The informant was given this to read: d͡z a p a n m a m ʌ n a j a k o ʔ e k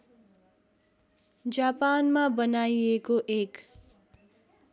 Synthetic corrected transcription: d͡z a p a n m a b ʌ n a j e k o ʔ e k